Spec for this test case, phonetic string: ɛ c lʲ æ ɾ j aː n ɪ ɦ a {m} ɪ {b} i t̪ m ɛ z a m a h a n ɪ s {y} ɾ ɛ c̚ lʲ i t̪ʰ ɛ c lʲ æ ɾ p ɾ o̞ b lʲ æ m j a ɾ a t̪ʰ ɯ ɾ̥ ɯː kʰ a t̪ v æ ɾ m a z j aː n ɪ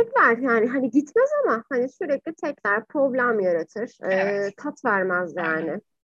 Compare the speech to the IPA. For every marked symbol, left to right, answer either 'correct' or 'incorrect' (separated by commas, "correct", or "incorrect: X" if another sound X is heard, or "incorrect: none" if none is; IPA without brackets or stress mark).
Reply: incorrect: n, incorrect: ɟ, correct